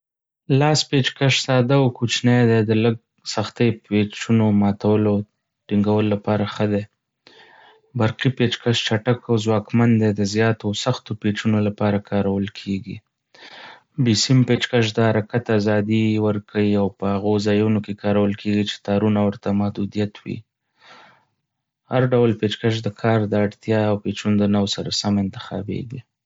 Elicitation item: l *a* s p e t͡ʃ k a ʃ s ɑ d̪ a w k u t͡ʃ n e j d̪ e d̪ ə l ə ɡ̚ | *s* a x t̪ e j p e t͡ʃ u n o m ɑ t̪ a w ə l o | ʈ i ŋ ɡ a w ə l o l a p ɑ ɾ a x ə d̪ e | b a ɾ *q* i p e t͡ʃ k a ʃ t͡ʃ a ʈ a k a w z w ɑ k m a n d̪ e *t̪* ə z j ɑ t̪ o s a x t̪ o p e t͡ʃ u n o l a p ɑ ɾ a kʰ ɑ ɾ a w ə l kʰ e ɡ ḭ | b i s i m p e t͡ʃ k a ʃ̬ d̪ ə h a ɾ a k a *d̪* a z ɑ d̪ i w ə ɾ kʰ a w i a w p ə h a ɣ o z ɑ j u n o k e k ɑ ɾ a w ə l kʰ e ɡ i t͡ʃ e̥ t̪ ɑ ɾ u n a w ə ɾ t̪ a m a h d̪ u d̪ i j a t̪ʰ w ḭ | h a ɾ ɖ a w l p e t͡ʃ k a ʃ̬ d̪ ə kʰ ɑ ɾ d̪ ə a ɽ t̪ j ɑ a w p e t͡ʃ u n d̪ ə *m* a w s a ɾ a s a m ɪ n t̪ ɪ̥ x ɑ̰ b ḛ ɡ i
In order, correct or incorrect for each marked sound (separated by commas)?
incorrect, correct, correct, incorrect, incorrect, incorrect